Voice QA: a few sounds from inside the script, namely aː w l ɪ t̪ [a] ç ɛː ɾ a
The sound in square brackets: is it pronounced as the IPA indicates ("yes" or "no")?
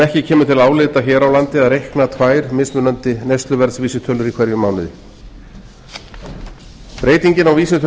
yes